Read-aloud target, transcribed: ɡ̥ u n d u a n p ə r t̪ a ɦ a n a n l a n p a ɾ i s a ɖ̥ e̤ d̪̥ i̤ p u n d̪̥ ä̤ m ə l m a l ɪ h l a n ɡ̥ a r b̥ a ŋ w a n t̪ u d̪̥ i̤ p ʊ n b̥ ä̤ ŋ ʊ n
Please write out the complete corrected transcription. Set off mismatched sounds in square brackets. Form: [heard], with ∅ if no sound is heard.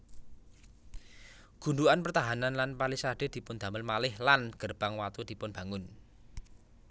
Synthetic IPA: ɡ̥ u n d u a n p ə r t̪ a ɦ a n a n l a n p a [l] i s a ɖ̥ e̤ d̪̥ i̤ p [ʊ] n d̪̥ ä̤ m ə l m a l ɪ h l a n ɡ̥ [ə] r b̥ a ŋ w a [∅] t̪ u d̪̥ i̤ p ʊ n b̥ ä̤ ŋ ʊ n